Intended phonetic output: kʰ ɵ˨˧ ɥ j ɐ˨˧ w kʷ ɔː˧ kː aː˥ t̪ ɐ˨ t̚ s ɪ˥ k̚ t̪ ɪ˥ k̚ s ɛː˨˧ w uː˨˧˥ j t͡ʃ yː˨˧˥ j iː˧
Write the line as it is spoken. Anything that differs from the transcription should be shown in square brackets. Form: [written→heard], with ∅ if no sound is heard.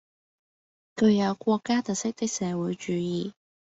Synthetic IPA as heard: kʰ ɵ˨˧ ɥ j ɐ˨˧ w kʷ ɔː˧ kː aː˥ t̪ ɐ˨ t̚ s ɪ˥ k̚ t̪ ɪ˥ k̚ s ɛː˨˧ w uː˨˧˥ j t͡ʃ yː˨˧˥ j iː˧